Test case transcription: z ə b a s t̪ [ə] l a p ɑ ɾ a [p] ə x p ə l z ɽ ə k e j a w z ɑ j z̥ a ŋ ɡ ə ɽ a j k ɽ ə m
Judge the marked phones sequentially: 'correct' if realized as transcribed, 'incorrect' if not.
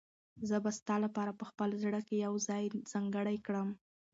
incorrect, correct

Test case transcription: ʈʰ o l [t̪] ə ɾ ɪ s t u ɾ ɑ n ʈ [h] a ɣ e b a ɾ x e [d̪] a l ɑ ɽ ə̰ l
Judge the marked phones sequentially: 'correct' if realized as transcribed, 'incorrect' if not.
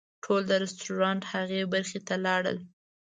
incorrect, correct, incorrect

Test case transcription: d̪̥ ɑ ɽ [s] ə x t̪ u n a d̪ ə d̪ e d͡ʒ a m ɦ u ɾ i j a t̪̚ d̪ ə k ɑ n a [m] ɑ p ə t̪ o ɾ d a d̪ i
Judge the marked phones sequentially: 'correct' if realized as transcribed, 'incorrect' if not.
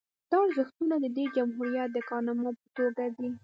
incorrect, correct

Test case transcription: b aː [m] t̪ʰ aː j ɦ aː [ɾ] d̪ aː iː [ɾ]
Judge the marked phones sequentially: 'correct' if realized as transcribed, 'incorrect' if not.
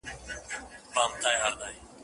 correct, correct, incorrect

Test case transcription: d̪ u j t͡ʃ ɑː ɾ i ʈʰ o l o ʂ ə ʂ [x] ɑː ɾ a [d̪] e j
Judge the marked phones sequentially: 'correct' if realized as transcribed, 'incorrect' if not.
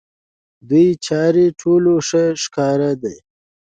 incorrect, correct

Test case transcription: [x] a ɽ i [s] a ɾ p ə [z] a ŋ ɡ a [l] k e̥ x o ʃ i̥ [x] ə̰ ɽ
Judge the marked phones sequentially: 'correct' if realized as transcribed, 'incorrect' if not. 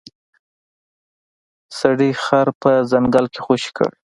incorrect, incorrect, correct, correct, incorrect

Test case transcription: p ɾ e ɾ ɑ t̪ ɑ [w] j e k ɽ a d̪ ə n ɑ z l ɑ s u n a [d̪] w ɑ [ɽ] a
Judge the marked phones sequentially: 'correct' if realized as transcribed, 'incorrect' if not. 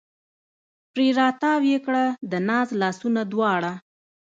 correct, correct, correct

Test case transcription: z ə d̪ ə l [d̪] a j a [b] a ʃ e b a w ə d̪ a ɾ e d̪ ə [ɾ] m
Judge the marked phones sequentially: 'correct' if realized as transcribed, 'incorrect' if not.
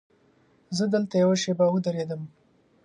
incorrect, incorrect, incorrect

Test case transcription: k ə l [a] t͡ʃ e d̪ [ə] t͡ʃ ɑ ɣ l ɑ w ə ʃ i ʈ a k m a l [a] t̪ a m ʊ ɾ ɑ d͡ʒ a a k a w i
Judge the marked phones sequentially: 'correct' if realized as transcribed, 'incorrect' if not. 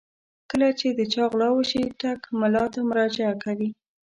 correct, correct, incorrect

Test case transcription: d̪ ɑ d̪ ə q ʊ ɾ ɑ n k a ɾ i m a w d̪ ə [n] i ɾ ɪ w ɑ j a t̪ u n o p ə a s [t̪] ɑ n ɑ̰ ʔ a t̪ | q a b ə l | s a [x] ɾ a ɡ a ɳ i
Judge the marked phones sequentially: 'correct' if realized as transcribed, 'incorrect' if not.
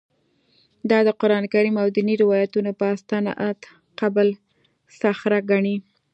correct, correct, correct

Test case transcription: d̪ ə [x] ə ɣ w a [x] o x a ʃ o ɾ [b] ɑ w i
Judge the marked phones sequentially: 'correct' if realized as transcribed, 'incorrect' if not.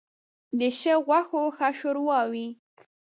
incorrect, correct, incorrect

